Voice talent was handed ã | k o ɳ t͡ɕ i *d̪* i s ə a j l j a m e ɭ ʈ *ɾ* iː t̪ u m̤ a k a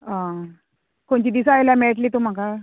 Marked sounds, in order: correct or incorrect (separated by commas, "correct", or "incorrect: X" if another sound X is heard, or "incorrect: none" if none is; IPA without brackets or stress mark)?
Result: correct, incorrect: l